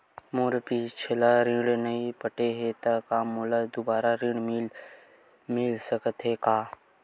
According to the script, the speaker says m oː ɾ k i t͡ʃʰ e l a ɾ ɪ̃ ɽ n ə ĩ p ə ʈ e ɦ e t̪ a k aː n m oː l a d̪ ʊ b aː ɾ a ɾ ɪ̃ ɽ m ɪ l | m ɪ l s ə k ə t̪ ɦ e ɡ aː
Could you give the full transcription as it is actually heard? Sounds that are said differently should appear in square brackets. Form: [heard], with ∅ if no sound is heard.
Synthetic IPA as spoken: m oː ɾ [p] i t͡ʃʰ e l a ɾ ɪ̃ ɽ n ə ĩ p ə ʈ e ɦ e t̪ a k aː [∅] m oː l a d̪ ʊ b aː ɾ a ɾ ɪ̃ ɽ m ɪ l | m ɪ l s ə k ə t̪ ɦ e [k] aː

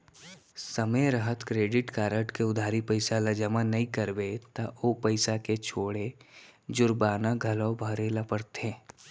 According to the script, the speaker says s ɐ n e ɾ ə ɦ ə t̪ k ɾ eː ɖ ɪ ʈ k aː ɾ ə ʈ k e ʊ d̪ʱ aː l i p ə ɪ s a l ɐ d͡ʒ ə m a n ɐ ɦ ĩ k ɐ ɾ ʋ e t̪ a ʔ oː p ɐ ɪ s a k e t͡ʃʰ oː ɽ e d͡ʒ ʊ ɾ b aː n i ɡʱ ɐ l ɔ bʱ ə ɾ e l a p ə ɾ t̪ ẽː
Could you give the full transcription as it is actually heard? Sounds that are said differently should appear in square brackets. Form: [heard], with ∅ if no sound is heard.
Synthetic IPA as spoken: s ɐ [m] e ɾ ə ɦ ə t̪ k ɾ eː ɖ ɪ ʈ k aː ɾ ə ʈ k e ʊ d̪ʱ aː [ɾ] i p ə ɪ s a l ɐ d͡ʒ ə m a n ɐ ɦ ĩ k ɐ ɾ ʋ e t̪ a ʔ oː p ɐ ɪ s a k e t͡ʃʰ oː ɽ e d͡ʒ ʊ ɾ b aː n [a] ɡʱ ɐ l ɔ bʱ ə ɾ e l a p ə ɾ t̪ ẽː

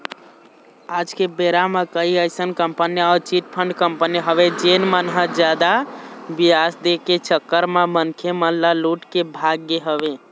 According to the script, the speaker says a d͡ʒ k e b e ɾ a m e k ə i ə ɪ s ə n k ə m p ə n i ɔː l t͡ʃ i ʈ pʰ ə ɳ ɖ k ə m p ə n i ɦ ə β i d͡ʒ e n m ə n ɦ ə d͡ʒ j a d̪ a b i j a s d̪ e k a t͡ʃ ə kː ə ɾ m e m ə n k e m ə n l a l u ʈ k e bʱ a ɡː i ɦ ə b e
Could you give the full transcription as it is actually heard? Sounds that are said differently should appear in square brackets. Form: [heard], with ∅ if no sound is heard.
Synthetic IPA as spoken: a d͡ʒ k e b e ɾ a m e k ə i ə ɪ s ə n k ə m p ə n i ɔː [ɾ] t͡ʃ i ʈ pʰ ə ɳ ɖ k ə m p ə n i ɦ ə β [e] d͡ʒ e n m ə n ɦ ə d͡ʒ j a d̪ a b i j a s d̪ e k [e] t͡ʃ ə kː ə ɾ m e m ə n [kʰ] e m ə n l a l u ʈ k e bʱ a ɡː [e] ɦ ə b e

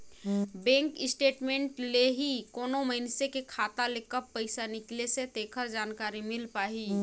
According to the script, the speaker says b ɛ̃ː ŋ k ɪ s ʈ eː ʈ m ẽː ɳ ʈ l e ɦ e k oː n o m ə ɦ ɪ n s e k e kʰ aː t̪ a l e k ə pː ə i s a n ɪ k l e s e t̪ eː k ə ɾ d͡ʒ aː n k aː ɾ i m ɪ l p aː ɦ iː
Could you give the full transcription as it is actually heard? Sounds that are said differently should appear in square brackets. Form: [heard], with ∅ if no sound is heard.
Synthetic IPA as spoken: b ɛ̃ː ŋ k ɪ s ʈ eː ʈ m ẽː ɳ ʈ l e ɦ [i] k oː n o m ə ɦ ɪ n s e k e kʰ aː t̪ a l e k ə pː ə [ɪ] s a n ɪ k l e s e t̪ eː [kʰ] ə ɾ d͡ʒ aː n k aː ɾ i m ɪ l p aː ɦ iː

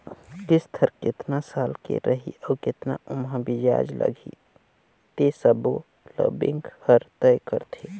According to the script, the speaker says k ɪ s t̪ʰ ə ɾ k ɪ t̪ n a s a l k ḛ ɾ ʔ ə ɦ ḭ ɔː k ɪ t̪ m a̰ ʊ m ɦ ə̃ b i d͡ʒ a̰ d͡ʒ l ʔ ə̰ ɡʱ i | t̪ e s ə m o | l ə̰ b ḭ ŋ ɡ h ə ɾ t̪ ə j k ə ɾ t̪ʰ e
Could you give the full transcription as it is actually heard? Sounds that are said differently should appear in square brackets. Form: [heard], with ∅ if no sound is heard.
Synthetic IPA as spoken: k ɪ s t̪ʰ ə ɾ k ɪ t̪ n a s a l k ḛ ɾ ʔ ə ɦ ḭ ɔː k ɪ t̪ [n] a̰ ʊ m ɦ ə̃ b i d͡ʒ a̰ d͡ʒ l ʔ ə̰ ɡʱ i | t̪ e s ə [b] o | l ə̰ b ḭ ŋ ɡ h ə ɾ t̪ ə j k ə ɾ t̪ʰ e

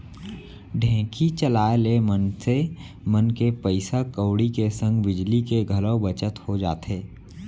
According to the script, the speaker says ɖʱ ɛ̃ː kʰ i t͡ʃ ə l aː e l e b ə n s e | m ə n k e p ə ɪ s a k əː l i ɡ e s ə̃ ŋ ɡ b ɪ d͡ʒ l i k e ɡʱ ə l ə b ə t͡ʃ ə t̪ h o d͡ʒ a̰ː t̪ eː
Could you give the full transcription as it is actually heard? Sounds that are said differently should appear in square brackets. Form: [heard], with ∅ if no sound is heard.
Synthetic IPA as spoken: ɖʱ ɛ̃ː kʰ i t͡ʃ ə l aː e l e [m] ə n s e | m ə n k e p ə ɪ s a k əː [ɽ] i [k] e s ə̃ ŋ ɡ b ɪ d͡ʒ l i k e ɡʱ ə l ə b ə t͡ʃ ə t̪ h o d͡ʒ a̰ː t̪ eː

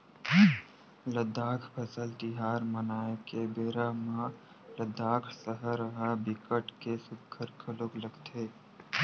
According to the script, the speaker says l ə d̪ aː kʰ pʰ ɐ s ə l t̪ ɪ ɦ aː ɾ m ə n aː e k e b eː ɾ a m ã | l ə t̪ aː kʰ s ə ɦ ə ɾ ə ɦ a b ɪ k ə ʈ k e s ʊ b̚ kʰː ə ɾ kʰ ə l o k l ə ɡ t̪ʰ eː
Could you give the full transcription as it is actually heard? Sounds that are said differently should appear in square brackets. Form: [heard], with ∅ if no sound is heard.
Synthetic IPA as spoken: l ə d̪ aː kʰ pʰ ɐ s ə l t̪ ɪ ɦ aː ɾ m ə n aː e k e b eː ɾ a m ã | l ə [d̪] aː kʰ s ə ɦ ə ɾ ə ɦ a b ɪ k ə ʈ k e s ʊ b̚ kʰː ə ɾ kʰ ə l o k l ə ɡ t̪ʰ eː

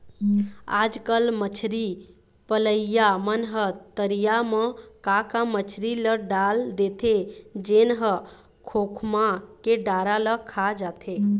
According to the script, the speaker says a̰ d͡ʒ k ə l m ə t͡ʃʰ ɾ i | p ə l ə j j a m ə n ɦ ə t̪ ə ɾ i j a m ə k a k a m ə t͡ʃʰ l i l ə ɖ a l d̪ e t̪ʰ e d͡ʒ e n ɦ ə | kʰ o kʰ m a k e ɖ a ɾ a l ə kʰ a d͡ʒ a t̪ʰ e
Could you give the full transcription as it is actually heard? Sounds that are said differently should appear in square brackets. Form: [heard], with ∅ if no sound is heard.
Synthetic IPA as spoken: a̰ d͡ʒ k ə l m ə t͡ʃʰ ɾ i | p ə l ə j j a m ə n ɦ ə t̪ ə ɾ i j a m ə k a k a m ə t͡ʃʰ [ɾ] i l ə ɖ a l d̪ e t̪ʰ e d͡ʒ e n ɦ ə | kʰ o kʰ m a k e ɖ a ɾ a l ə kʰ a d͡ʒ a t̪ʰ e

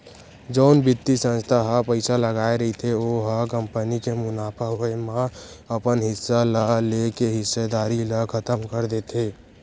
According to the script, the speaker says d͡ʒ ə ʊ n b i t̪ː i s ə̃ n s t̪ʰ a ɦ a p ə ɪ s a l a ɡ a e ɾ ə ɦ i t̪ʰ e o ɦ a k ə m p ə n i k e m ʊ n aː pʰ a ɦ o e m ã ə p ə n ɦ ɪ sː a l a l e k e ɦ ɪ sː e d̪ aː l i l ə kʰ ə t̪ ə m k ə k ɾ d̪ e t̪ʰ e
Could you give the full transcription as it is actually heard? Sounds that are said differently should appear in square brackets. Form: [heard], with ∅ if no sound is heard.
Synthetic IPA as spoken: d͡ʒ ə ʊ n b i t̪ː i s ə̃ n s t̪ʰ a ɦ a p ə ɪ s a l [ə] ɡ a e ɾ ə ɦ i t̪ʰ e o ɦ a k ə m p ə n i k e m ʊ n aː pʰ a ɦ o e m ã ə p ə n ɦ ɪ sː a l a l e k e ɦ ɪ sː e d̪ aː [ɾ] i l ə kʰ ə t̪ ə m k ə [∅] ɾ d̪ e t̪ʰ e

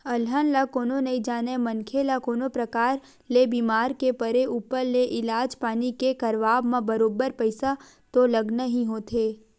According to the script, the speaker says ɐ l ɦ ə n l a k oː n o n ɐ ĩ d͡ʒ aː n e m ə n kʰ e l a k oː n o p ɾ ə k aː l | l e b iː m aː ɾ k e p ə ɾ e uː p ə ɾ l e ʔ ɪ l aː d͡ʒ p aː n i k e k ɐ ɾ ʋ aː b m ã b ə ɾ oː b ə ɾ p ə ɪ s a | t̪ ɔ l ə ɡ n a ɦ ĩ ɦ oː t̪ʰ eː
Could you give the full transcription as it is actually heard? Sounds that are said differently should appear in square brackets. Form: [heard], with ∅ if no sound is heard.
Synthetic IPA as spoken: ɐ l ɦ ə n l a k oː n o n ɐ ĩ d͡ʒ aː n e m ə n kʰ e l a k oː n o p ɾ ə k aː [ɾ] | l e b iː m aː ɾ k e p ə ɾ e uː p ə ɾ l e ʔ ɪ l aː d͡ʒ p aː n i k e k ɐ ɾ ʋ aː b m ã b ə ɾ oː b ə ɾ p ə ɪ s a | t̪ [o] l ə ɡ n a ɦ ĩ ɦ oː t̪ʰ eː

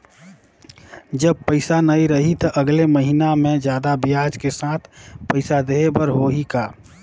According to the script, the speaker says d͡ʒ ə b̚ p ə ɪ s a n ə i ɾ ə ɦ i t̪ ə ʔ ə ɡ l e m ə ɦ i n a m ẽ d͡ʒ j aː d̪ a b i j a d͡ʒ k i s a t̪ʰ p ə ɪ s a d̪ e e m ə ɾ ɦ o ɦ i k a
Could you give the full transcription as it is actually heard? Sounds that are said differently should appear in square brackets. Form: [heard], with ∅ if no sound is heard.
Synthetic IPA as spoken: d͡ʒ ə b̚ p ə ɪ s a n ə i ɾ ə ɦ i t̪ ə ʔ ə ɡ l e m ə ɦ i n a m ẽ d͡ʒ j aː d̪ a b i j a d͡ʒ k [e] s a t̪ʰ p ə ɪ s a d̪ e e [b] ə ɾ ɦ o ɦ i k a

